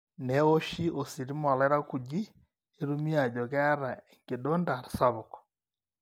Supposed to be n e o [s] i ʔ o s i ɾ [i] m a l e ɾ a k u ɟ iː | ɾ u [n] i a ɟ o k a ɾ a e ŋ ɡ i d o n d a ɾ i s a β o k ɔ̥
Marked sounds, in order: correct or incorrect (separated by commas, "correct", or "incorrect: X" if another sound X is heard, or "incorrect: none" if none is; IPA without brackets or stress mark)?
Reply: incorrect: ʃ, correct, incorrect: m